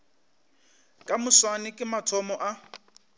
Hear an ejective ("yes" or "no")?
yes